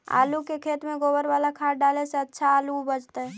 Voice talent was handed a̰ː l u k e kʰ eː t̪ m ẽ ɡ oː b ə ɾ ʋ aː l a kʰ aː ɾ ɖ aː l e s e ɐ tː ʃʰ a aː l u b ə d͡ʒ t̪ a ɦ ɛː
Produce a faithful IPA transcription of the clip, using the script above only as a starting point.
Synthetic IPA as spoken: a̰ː l u k e kʰ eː t̪ m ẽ ɡ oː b ə ɾ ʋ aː l a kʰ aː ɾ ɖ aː l e s e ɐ tː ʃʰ a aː l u b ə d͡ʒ t̪ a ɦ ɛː